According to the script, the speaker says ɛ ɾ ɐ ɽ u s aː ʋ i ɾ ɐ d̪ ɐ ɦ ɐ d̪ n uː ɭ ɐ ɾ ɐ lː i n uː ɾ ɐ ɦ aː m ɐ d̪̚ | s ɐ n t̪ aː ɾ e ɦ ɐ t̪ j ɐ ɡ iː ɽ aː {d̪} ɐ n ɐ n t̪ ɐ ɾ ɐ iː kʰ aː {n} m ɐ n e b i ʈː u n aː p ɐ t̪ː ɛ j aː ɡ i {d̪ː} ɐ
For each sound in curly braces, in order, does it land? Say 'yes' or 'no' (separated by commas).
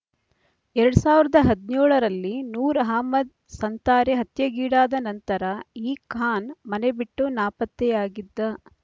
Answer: yes, yes, yes